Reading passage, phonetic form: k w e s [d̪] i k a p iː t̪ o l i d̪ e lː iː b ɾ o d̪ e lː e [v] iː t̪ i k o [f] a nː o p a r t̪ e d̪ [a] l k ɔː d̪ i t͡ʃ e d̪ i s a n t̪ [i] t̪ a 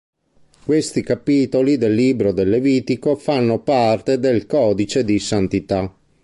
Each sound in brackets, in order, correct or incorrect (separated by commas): incorrect, correct, correct, incorrect, correct